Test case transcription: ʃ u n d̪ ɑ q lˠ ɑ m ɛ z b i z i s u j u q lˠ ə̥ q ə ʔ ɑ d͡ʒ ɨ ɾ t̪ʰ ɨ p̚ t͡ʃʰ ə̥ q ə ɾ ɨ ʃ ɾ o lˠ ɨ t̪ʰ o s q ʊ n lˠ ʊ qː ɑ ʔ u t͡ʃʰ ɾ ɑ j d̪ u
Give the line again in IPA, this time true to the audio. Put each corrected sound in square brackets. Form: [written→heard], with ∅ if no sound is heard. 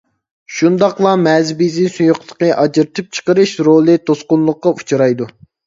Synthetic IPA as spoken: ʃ u n d̪ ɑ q lˠ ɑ m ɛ z b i z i s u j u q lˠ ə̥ q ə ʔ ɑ d͡ʒ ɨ ɾ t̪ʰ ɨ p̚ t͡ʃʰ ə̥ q ə ɾ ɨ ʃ ɾ o lˠ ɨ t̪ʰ o s q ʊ n lˠ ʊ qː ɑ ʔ u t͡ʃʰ ɾ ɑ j d̪ u